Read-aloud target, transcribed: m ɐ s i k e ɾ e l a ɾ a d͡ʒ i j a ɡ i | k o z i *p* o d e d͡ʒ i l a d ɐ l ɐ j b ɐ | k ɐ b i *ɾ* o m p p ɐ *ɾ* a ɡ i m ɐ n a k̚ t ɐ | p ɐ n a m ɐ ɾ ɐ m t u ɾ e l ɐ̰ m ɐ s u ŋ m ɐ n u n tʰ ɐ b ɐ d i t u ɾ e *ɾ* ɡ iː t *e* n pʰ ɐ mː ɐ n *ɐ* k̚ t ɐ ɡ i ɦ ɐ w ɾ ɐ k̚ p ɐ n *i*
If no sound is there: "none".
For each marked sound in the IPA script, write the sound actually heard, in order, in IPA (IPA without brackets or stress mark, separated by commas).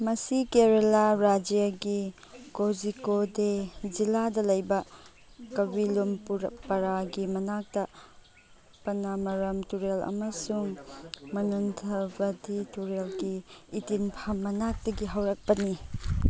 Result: k, l, ɾ, l, i, a, i